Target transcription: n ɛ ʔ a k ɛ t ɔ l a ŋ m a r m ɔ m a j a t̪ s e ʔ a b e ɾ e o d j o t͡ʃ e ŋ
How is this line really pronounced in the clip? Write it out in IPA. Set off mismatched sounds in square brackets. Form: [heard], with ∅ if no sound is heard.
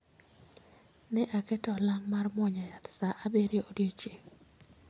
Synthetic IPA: n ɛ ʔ a k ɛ t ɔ l a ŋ m a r m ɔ [ɲ] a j a t̪ s [a] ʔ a b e ɾ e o d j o t͡ʃ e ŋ

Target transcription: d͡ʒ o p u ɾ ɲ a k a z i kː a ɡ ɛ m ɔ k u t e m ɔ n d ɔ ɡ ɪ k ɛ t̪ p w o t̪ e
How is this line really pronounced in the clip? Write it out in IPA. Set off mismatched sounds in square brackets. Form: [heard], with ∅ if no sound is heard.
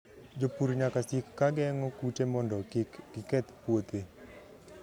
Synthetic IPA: d͡ʒ o p u ɾ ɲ a k a [s] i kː a ɡ ɛ [ŋ] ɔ k u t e m ɔ n d ɔ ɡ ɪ k ɛ t̪ p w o t̪ e

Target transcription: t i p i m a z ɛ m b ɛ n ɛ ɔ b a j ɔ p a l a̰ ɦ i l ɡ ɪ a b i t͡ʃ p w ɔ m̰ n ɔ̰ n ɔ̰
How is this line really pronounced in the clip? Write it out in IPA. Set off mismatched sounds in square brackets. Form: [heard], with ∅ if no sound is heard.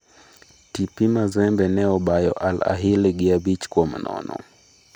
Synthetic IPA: t i p i m a z ɛ m b ɛ n ɛ ɔ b a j ɔ [ʔ] a l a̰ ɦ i l ɡ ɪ a b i t͡ʃ [k] w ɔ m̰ n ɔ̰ n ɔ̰

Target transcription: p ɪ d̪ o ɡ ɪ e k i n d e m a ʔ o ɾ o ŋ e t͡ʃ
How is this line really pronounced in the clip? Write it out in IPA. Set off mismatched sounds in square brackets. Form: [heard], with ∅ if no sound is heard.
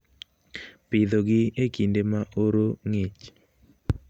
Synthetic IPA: p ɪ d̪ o ɡ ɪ e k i n d e m a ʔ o ɾ o ŋ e t͡ʃ

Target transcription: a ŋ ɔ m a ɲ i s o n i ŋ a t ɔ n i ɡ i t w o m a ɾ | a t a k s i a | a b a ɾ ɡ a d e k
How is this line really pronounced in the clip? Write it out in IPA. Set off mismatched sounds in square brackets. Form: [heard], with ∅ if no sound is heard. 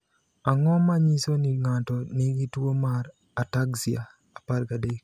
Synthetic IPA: a ŋ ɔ m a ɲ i s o n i ŋ a t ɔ n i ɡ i t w o m a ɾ | a t a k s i a | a [p] a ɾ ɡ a d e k

